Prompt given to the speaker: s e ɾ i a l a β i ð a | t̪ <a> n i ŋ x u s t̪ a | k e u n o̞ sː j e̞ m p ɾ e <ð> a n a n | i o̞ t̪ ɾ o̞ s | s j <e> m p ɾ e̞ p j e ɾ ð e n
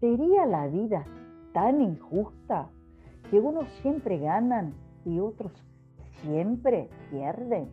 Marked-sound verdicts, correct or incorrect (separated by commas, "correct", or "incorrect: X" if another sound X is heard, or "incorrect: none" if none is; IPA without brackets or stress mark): correct, incorrect: ɣ, correct